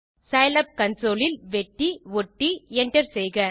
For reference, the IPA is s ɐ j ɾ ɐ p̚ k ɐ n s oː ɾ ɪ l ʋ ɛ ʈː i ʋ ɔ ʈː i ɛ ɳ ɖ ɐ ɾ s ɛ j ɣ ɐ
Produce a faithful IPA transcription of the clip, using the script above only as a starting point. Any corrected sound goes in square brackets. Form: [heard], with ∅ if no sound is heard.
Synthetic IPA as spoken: s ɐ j [l] ɐ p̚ k ɐ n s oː [l] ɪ l ʋ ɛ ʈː i ʋ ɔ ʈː i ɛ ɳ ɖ ɐ ɾ s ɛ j ɣ ɐ